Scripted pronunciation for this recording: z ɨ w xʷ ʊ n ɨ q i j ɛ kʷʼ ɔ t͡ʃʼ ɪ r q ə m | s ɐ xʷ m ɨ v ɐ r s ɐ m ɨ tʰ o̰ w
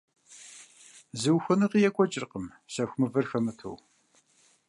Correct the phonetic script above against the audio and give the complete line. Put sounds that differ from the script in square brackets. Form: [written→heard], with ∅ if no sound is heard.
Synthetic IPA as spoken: z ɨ w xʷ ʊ n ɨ q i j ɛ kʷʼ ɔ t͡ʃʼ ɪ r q ə m | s ɐ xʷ m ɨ v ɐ r [s→x] ɐ m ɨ tʰ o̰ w